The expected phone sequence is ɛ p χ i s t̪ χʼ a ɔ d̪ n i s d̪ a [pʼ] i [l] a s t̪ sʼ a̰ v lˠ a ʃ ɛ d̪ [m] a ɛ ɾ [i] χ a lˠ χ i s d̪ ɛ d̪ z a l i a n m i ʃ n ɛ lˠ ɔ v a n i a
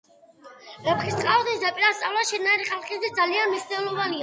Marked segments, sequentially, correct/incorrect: correct, incorrect, incorrect, correct

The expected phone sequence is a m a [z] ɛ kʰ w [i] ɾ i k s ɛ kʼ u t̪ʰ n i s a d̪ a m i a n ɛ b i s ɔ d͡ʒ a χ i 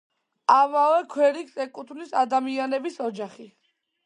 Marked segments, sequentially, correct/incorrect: incorrect, incorrect

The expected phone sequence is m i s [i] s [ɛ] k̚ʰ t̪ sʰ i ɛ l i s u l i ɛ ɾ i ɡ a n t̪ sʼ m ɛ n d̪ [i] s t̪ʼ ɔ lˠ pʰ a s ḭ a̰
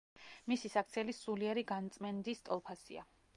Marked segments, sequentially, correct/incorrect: correct, incorrect, correct

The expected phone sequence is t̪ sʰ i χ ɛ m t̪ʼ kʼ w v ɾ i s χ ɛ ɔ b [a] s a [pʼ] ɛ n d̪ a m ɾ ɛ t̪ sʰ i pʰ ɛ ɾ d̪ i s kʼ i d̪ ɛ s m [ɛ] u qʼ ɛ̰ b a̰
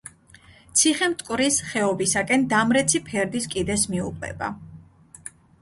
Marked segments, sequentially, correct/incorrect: incorrect, incorrect, incorrect

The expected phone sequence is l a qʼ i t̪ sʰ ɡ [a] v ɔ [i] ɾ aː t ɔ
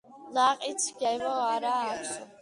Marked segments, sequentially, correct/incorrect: incorrect, incorrect

